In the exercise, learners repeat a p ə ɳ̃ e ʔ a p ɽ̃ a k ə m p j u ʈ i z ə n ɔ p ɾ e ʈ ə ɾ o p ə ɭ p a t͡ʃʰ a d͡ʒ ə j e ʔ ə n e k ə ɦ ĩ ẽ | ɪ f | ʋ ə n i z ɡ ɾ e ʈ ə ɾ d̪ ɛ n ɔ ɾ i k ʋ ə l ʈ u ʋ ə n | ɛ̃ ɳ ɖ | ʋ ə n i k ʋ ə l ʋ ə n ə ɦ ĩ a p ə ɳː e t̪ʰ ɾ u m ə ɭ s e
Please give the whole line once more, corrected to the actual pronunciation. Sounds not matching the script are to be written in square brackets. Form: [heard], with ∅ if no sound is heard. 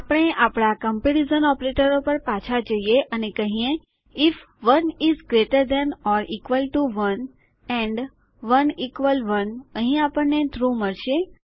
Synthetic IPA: a p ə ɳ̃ e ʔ a p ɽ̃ a k ə m p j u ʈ i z ə n ɔ p ɾ e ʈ ə ɾ o p ə [ɾ] p a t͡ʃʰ a d͡ʒ ə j e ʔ ə n e k ə ɦ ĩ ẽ | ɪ f | ʋ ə n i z ɡ ɾ e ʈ ə ɾ d̪ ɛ n ɔ ɾ i k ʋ ə l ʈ u ʋ ə n | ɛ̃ ɳ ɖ | ʋ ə n i k ʋ ə l ʋ ə n ə ɦ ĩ a p ə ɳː e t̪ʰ ɾ u m ə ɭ [ʃ] e